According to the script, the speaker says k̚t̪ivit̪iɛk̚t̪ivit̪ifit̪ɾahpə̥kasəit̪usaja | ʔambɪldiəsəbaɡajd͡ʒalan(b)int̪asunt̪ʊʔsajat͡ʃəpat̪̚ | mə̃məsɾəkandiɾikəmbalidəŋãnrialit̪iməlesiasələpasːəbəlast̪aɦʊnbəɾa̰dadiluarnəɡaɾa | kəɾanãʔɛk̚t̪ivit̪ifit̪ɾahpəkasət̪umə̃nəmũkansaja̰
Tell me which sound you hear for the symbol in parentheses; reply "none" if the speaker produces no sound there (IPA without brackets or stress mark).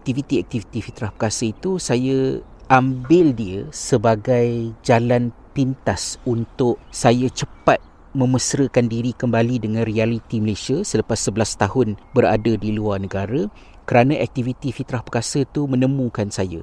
p